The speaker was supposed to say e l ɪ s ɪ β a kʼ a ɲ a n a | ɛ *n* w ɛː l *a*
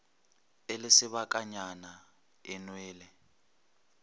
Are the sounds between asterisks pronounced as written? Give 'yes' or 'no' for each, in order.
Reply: yes, no

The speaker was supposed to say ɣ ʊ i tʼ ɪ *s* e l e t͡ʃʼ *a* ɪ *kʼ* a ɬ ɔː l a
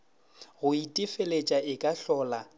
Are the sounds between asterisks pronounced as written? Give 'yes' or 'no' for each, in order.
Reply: no, yes, yes

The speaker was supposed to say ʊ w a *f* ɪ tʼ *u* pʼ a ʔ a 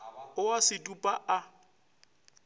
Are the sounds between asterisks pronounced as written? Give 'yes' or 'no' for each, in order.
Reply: no, yes

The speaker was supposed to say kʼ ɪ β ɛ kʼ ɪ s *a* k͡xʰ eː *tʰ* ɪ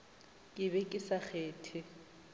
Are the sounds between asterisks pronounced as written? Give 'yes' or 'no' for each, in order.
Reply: yes, yes

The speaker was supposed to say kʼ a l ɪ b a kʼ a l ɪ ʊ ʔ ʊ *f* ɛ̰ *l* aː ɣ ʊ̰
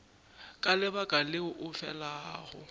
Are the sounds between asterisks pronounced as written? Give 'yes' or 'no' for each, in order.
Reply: yes, yes

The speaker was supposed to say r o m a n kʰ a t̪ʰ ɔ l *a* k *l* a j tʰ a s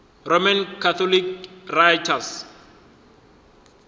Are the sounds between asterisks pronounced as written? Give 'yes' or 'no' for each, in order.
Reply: no, no

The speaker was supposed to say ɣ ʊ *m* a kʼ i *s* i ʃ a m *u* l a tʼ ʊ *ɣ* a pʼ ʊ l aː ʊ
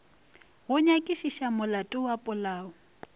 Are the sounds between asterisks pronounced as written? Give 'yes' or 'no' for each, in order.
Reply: no, no, no, no

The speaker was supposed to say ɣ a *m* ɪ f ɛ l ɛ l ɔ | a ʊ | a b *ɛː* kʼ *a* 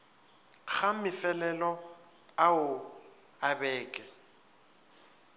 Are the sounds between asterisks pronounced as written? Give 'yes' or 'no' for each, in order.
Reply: yes, yes, no

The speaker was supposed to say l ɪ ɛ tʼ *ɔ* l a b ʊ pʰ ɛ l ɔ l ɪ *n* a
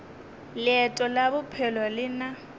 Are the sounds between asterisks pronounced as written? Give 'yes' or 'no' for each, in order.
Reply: yes, yes

